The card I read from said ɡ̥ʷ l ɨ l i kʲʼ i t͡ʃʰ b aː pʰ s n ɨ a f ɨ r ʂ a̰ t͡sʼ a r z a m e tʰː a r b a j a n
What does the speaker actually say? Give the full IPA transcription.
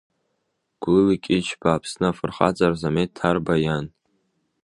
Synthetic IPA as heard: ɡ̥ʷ l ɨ l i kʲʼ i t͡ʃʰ b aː pʰ s n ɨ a f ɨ r χ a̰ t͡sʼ a r z a m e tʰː a r b a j a n